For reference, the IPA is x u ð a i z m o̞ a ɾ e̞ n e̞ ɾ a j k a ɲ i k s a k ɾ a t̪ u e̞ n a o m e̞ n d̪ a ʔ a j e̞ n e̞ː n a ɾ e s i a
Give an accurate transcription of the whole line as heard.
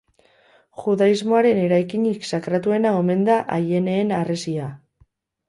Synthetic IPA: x u ð a i z m o̞ a ɾ e̞ n e̞ ɾ a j k i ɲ i k s a k ɾ a t̪ u e̞ n a o m e̞ n d̪ a ʔ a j e̞ n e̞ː n a r e s i a